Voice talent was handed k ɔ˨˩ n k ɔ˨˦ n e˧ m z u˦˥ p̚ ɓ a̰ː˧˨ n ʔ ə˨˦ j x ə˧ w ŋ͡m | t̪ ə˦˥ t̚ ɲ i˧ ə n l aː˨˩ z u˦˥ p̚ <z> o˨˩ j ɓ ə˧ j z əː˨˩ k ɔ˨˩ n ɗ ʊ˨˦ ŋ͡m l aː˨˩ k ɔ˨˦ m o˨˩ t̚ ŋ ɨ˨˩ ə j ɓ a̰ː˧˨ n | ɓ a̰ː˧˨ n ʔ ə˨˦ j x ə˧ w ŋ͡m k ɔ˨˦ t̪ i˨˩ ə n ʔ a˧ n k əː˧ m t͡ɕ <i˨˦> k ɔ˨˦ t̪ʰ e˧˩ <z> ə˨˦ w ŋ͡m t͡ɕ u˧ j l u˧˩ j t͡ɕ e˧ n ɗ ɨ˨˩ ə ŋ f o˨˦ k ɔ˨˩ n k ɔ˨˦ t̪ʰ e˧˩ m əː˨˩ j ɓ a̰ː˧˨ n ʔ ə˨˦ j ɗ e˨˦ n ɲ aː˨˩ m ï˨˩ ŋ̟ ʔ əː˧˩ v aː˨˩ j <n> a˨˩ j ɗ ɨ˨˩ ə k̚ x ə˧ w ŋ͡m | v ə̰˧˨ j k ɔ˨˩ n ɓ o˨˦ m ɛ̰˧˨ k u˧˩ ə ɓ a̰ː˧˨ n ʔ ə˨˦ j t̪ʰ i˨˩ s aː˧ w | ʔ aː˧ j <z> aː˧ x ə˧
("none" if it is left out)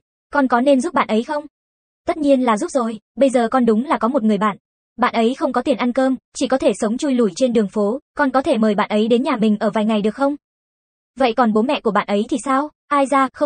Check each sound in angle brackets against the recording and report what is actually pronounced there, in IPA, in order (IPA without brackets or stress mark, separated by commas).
z, i˧˩, s, ŋ, z